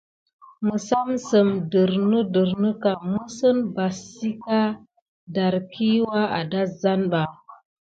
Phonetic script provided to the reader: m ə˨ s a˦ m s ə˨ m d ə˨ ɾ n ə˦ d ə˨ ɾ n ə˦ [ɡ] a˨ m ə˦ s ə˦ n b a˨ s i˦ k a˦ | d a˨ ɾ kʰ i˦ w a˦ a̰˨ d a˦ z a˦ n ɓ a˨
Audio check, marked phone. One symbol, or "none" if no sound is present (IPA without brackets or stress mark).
k